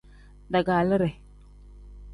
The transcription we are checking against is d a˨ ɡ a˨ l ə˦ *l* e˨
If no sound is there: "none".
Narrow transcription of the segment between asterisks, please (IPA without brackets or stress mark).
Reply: ɾ